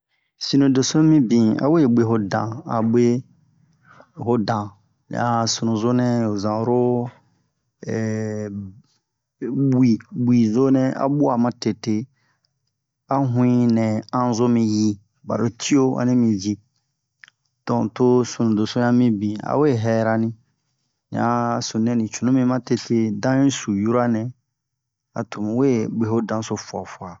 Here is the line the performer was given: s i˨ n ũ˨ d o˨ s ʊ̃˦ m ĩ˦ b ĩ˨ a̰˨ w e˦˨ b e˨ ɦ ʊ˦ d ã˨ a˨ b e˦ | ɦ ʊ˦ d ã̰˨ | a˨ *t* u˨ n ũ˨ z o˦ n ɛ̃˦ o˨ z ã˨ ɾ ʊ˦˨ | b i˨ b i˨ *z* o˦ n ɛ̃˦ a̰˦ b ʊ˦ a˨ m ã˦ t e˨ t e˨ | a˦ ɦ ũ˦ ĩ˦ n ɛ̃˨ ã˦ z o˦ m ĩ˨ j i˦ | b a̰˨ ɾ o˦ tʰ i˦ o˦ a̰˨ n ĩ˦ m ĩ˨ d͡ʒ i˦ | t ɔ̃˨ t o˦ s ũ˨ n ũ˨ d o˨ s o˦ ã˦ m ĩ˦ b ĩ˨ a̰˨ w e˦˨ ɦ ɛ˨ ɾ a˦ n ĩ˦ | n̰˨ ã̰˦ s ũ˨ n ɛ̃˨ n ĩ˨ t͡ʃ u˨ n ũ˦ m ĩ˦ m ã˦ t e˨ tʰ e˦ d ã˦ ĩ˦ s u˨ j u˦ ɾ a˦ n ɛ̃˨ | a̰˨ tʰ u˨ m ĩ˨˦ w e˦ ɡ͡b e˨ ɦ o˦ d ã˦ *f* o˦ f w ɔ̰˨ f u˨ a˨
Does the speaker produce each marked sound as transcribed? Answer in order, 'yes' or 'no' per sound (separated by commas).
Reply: no, yes, no